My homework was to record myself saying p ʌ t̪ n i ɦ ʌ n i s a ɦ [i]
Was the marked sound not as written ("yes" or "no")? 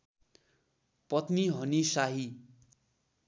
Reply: no